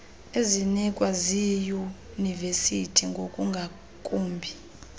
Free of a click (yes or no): yes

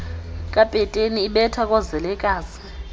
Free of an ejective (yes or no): no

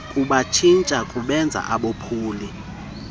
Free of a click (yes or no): yes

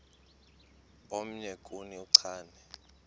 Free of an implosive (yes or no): yes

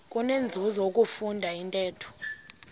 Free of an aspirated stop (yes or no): no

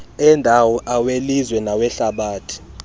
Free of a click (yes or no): yes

